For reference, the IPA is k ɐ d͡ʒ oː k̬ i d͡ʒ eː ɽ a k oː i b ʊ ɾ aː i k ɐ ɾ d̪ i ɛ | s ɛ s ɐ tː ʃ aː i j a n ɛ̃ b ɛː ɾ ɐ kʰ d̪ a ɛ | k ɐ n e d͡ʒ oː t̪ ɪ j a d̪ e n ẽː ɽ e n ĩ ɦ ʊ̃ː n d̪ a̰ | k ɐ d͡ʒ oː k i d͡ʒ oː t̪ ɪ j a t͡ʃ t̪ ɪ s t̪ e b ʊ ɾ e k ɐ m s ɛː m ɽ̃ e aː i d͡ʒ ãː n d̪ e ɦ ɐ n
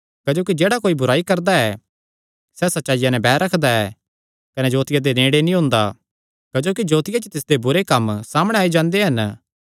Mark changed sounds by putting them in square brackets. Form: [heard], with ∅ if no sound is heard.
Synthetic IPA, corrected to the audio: k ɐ d͡ʒ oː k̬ i d͡ʒ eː ɽ a k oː i b ʊ ɾ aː i k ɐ ɾ d̪ [a] ɛ | s ɛ s ɐ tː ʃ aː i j a n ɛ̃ b ɛː ɾ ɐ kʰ d̪ a ɛ | k ɐ n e d͡ʒ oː t̪ ɪ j a d̪ e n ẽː ɽ e n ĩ ɦ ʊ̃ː n d̪ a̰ | k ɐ d͡ʒ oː k i d͡ʒ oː t̪ ɪ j a t͡ʃ t̪ ɪ s [d̪] e b ʊ ɾ e k ɐ m s [aː] m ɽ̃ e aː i d͡ʒ ãː n d̪ e ɦ ɐ n